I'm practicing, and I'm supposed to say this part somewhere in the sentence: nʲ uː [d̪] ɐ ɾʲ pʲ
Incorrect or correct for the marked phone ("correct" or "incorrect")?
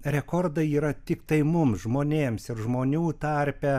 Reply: incorrect